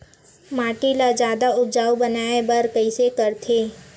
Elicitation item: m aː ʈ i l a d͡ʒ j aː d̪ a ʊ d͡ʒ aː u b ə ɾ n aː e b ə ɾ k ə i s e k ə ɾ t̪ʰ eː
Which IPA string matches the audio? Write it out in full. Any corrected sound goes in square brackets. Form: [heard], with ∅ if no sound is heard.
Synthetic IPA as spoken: m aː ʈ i l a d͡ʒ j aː d̪ a ʊ d͡ʒ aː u b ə [∅] n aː e b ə ɾ k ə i s e k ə ɾ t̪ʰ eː

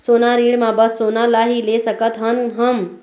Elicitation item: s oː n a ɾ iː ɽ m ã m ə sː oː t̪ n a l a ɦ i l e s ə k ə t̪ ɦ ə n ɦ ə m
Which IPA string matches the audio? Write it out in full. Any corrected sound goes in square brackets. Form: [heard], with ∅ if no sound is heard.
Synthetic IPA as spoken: s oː n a ɾ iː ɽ m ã [b] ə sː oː [∅] n a l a ɦ i l e s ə k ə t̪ ɦ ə n ɦ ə m

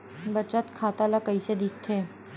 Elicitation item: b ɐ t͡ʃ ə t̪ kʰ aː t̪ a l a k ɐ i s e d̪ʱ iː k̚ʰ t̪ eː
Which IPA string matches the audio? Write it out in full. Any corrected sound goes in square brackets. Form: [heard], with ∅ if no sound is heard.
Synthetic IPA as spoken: b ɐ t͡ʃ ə t̪ kʰ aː t̪ a l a k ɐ i s e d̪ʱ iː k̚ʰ [t̪ʰ] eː

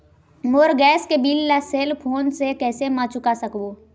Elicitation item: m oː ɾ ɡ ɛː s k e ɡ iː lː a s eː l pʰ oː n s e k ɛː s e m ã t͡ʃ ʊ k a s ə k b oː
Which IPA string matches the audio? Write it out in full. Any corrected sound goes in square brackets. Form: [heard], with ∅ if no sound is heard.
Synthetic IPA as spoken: m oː ɾ ɡ ɛː s k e [b] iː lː a s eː l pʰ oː n s e k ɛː s e m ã t͡ʃ ʊ k a s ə k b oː

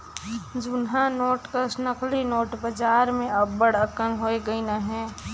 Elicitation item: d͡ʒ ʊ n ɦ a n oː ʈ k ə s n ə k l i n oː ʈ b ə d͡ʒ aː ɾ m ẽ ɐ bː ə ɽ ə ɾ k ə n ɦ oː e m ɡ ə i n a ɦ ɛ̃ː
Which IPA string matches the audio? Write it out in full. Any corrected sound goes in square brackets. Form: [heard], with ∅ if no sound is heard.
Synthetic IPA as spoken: d͡ʒ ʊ n ɦ a n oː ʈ k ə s n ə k l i n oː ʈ b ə d͡ʒ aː ɾ m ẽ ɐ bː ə ɽ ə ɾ k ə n ɦ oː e [∅] ɡ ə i n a ɦ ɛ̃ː

